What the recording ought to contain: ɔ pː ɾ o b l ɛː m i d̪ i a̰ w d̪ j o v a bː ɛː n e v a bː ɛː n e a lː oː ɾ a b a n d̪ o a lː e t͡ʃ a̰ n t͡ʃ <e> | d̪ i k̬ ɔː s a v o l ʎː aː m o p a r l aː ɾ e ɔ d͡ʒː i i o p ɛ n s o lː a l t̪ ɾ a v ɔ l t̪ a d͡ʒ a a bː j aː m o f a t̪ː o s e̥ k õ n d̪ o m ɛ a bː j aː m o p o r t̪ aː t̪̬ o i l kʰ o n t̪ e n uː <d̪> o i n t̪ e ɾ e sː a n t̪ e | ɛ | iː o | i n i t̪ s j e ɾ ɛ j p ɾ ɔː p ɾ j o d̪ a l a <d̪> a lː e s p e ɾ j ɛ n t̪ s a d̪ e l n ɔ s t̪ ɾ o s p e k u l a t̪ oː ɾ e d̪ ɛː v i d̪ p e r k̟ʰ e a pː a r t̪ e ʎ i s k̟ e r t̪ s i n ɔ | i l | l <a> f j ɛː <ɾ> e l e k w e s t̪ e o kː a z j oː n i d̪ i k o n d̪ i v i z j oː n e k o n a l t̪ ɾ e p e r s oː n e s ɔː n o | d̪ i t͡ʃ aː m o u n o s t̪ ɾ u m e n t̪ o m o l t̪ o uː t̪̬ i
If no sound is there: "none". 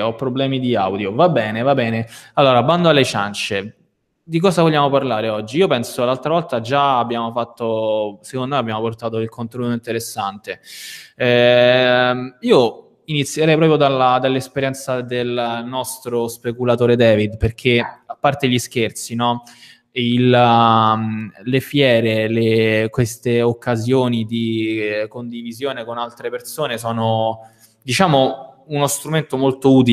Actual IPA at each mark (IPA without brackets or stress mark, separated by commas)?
e, t̪, d̪, e, ɾ